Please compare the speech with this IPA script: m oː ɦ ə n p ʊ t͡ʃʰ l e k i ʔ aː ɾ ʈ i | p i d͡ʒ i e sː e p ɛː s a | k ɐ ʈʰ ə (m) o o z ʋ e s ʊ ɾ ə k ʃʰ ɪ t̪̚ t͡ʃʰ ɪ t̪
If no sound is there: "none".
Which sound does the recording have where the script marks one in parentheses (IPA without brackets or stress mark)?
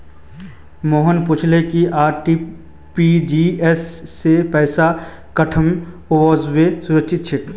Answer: m